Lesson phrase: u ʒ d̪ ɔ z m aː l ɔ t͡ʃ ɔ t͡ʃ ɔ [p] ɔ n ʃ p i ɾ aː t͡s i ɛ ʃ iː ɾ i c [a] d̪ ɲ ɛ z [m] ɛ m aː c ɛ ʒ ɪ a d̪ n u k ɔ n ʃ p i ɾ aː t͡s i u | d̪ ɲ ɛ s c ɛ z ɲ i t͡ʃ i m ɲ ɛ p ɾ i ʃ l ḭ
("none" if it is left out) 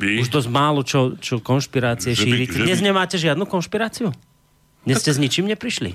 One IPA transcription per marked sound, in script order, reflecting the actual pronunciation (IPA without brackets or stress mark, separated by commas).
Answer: k, ɛ, ɲ